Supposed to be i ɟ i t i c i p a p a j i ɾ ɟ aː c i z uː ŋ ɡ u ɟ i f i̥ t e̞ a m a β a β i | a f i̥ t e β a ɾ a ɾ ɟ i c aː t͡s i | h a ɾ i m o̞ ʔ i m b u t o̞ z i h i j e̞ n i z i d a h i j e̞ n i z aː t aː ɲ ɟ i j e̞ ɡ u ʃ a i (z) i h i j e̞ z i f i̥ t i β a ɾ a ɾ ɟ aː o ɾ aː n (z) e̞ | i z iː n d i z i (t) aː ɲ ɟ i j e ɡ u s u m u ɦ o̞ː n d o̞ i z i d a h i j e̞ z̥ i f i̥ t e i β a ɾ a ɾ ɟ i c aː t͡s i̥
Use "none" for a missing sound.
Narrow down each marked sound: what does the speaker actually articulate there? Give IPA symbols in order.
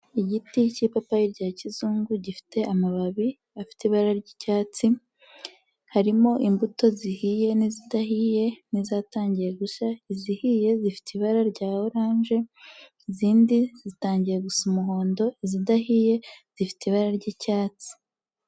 z, ʒ, t

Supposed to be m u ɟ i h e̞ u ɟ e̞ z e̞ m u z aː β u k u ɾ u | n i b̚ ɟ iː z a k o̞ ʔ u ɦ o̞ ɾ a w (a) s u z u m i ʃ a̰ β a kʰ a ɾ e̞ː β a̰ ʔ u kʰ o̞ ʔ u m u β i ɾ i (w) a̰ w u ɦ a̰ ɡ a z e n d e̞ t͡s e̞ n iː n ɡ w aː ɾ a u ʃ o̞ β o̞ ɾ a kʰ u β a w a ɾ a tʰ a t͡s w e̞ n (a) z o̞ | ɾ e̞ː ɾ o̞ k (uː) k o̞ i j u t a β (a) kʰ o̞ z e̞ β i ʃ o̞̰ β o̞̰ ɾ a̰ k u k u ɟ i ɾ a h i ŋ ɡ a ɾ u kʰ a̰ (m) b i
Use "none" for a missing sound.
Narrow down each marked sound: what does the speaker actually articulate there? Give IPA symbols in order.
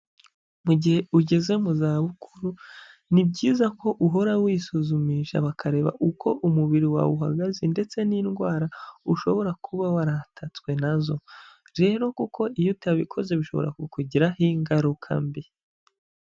i, w, a, u, i, m

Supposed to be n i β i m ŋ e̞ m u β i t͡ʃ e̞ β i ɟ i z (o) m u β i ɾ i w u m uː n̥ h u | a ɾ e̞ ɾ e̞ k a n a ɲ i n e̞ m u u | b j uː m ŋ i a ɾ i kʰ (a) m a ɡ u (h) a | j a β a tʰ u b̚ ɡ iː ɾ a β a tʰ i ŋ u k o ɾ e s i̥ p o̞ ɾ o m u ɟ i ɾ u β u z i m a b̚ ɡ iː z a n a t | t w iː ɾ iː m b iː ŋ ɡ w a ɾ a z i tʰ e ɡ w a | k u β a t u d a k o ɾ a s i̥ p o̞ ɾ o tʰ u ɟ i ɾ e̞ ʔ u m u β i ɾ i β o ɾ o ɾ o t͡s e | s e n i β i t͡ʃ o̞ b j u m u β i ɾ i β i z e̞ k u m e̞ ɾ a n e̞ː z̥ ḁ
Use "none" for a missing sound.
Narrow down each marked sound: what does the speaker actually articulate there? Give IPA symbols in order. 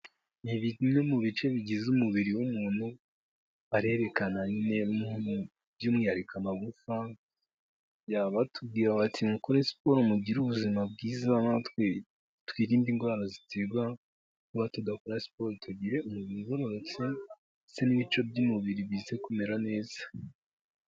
u, a, f

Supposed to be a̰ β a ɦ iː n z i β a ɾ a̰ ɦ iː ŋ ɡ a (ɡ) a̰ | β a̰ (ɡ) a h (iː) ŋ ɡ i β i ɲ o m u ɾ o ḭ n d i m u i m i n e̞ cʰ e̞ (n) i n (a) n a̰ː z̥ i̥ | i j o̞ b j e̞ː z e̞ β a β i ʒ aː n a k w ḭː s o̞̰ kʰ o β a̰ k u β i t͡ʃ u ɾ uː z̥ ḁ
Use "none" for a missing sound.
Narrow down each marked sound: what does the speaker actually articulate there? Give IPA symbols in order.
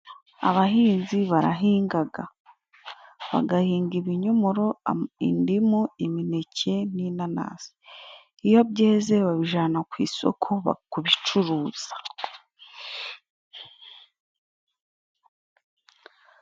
ɡ, ɡ, iː, n, a

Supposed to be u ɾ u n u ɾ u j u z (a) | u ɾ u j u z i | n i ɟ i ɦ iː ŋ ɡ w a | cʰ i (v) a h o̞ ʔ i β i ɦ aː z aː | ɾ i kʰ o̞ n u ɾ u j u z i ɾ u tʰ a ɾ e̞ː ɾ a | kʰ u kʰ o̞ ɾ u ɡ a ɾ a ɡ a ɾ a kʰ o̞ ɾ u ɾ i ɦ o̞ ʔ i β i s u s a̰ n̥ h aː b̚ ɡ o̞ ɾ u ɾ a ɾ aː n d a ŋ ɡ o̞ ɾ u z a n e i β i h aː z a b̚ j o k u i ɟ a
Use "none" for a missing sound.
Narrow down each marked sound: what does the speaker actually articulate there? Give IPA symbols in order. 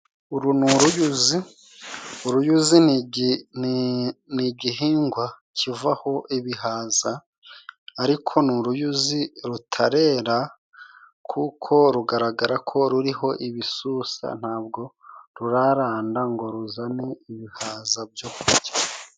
i, v

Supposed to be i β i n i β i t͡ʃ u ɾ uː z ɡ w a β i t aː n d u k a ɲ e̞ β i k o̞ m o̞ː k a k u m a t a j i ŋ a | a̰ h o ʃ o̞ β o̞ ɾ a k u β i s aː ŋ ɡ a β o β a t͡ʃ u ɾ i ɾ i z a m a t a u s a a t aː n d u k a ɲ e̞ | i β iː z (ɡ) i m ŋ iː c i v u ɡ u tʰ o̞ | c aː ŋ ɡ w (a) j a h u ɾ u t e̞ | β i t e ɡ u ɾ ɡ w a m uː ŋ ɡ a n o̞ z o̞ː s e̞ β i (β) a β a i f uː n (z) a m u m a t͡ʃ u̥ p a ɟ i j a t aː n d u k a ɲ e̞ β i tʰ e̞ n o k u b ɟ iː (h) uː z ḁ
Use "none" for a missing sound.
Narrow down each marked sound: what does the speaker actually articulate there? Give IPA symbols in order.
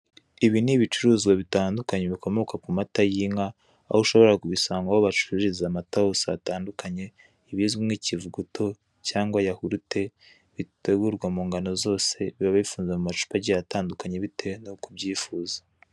ɡ, a, β, z, f

